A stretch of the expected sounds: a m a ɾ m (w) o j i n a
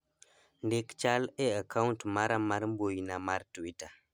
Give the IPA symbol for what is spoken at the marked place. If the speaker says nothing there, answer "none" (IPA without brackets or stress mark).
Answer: b